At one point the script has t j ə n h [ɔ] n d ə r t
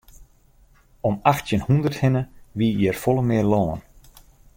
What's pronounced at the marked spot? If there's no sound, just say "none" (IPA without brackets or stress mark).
u